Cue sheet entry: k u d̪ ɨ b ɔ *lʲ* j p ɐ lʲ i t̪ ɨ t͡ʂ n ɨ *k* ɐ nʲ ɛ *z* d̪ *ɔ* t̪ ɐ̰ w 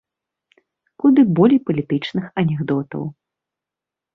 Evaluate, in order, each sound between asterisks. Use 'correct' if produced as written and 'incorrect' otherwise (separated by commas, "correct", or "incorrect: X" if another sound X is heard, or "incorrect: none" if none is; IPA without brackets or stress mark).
correct, incorrect: x, incorrect: ɣ, correct